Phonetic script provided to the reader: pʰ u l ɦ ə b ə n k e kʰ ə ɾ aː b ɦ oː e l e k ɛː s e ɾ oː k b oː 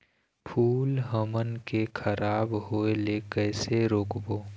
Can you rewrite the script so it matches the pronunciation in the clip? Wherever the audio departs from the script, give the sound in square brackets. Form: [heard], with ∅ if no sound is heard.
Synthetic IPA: pʰ [uː] l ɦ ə [m] ə n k e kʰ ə ɾ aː b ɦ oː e l e k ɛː s e ɾ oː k b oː